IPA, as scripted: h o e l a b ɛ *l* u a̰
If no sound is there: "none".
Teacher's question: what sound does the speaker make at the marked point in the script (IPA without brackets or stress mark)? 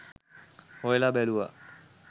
l